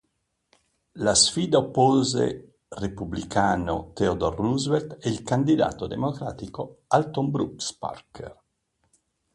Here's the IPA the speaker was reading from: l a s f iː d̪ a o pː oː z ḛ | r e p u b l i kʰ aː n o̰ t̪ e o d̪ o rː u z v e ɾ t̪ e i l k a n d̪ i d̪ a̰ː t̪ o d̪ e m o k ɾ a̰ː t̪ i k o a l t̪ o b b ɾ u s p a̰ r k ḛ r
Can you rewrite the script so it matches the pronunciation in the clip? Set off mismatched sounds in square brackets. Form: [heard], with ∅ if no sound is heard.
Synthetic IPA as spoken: l a s f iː d̪ a o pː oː z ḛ | r e p u b l i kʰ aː n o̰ t̪ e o d̪ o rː u z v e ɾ t̪ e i l k a n d̪ i d̪ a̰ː t̪ o d̪ e m o k ɾ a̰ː t̪ i k o a l t̪ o [m] b ɾ u s p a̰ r k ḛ r